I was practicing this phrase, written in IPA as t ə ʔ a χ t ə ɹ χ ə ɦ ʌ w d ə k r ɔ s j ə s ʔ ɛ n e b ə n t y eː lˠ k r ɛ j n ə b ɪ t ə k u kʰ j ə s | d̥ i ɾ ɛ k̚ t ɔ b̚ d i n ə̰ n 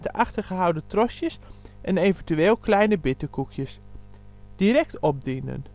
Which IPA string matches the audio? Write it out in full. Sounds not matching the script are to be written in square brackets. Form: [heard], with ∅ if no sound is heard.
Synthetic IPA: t ə ʔ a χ t ə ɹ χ ə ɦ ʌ w d ə [t] r ɔ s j ə s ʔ ɛ n e [v] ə n t y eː lˠ k [l] ɛ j n ə b ɪ t ə k u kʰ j ə s | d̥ i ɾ ɛ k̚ t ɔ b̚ d i n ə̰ n

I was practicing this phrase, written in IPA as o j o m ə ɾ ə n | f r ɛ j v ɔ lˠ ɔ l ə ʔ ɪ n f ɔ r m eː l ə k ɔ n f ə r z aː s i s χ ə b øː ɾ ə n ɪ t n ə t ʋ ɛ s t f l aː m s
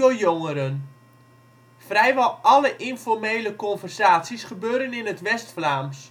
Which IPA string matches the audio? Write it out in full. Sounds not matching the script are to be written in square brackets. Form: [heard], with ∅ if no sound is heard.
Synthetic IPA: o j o [ŋ] ə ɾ ə n | f r ɛ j [ʋ] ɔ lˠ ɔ l ə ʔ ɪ n f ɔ r m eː l ə k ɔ n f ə r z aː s i s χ ə b øː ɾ ə n ɪ [∅] n ə t ʋ ɛ s t f l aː m s

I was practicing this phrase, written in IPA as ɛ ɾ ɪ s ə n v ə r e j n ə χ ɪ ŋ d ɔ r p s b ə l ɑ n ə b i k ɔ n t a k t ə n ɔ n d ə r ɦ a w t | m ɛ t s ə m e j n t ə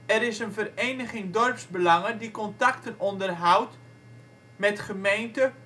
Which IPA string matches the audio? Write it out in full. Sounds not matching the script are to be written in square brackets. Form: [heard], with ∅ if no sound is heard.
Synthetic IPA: ɛ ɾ ɪ s ə n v ə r e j n ə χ ɪ ŋ d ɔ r p s b ə l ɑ [ŋ] ə [d] i k ɔ n t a k t ə n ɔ n d ə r ɦ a w t | m ɛ t [χ] ə m e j n t ə

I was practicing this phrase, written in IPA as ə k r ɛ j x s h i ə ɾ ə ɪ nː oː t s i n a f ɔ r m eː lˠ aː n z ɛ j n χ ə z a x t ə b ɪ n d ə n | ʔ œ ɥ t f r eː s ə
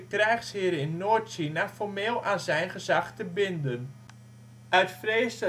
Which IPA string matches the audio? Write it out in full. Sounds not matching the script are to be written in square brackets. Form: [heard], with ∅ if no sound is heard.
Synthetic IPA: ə k r ɛ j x s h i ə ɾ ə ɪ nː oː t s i n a f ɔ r m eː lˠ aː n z ɛ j n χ ə z a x t ə b ɪ n d ə n | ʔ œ ɥ t f r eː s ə

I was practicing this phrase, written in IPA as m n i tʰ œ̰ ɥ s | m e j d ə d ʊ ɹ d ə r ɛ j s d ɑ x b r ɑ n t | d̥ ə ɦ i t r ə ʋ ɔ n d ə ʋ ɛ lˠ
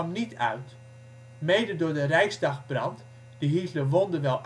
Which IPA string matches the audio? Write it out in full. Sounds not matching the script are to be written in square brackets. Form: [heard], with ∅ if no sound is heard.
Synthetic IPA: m n i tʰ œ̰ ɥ [t] | m e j d ə d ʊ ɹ d ə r ɛ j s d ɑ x b r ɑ n t | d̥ ə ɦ i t [l] ə ʋ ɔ n d ə ʋ ɛ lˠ

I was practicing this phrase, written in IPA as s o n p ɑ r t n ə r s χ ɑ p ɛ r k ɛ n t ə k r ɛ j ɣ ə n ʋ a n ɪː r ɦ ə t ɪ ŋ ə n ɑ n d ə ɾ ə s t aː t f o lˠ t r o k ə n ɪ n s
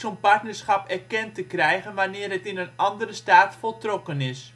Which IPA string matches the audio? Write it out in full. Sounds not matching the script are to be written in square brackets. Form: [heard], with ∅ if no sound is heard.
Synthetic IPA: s o n p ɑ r t n ə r s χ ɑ p ɛ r k ɛ n t ə k r ɛ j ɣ ə n ʋ a n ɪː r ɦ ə t ɪ [n] ə n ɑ n d ə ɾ ə s t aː t f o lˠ t r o k ə n ɪ [∅] s

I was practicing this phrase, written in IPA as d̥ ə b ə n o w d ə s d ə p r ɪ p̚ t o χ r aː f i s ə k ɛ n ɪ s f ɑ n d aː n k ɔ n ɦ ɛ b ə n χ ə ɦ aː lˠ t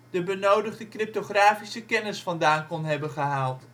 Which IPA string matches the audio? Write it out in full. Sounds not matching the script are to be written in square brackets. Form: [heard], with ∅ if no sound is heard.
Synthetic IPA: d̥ ə b ə n o w d ə [χ] d ə [k] r ɪ p̚ t o χ r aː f i s ə k ɛ n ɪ s f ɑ n d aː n k ɔ n ɦ ɛ b ə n χ ə ɦ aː lˠ t

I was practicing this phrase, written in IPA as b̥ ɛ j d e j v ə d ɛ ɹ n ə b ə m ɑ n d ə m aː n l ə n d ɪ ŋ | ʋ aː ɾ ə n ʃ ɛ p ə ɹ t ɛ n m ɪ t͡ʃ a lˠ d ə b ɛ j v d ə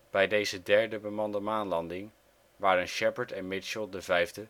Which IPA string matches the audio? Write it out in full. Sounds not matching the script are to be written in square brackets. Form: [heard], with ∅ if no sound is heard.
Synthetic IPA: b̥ ɛ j d e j [z] ə d ɛ ɹ [d] ə b ə m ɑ n d ə m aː n l [ɑ] n d ɪ ŋ | ʋ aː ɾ ə n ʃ ɛ p ə ɹ t ɛ n m ɪ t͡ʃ [ə] lˠ d ə [v] ɛ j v d ə

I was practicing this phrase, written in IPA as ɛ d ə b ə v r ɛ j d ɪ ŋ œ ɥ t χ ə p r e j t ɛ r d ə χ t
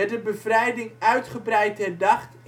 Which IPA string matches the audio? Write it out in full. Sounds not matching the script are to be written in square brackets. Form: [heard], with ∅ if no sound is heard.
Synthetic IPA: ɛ d ə b ə v r ɛ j d ɪ ŋ œ ɥ t χ ə [b] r [ɛ] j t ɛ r d [ɑ] χ t

